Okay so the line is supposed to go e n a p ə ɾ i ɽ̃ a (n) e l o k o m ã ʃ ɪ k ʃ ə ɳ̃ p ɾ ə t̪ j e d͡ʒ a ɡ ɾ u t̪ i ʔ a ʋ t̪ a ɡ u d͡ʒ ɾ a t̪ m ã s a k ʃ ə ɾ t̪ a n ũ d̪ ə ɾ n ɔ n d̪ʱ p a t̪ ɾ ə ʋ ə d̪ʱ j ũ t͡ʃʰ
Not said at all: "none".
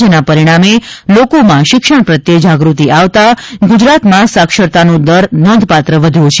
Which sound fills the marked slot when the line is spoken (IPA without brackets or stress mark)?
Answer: m